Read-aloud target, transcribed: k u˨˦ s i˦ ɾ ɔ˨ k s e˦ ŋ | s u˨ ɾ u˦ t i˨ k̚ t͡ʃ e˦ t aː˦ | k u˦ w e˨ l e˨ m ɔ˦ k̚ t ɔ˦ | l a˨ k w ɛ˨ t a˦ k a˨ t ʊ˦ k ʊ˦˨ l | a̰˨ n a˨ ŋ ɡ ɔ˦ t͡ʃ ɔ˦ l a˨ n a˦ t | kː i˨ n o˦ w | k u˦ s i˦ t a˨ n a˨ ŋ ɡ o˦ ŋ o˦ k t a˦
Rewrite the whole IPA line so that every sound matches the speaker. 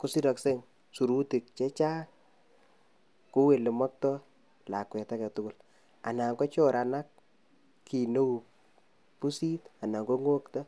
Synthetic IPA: k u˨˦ s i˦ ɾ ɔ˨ k s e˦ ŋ | s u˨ ɾ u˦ t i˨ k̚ t͡ʃ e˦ t͡ʃ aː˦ | k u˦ w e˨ l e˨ m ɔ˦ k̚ t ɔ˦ | l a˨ k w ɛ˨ t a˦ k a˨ t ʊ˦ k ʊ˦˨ l | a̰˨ n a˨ ŋ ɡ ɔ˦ t͡ʃ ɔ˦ ɾ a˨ n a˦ k | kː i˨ n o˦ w | p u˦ s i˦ t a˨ n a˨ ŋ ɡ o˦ ŋ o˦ k t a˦